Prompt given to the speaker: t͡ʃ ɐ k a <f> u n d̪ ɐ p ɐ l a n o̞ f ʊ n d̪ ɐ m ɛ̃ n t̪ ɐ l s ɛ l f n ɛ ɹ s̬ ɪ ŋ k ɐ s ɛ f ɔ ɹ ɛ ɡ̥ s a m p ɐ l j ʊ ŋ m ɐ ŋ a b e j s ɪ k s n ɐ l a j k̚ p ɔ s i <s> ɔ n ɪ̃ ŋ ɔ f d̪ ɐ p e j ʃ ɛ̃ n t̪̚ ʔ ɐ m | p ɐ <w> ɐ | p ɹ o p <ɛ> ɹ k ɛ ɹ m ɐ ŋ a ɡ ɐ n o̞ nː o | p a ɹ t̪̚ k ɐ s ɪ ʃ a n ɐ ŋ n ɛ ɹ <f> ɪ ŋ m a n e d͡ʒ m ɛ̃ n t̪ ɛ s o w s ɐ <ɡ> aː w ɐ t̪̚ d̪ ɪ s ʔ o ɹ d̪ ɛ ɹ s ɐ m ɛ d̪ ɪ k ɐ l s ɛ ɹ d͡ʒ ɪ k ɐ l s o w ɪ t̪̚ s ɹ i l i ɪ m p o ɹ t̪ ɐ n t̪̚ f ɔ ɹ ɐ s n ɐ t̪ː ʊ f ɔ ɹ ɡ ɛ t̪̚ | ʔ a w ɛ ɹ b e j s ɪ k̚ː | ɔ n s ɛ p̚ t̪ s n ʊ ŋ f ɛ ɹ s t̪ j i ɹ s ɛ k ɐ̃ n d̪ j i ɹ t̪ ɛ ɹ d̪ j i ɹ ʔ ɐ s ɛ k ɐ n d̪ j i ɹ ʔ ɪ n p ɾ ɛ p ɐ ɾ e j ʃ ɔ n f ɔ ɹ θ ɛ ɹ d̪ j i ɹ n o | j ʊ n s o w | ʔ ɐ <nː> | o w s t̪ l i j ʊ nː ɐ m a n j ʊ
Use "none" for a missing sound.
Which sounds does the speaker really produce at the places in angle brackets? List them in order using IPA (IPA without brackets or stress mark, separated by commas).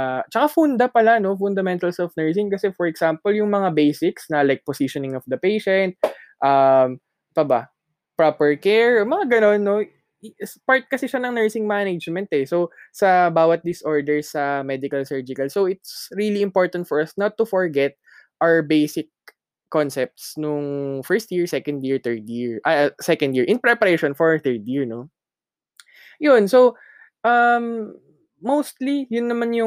f, ʃ, b, ɛ, s, b, mː